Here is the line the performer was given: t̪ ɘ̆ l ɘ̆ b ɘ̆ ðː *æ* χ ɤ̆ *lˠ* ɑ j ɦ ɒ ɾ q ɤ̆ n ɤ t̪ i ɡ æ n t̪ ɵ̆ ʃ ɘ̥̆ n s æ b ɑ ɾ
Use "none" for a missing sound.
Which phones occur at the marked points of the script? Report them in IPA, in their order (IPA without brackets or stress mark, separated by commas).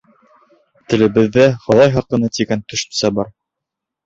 æ, lˠ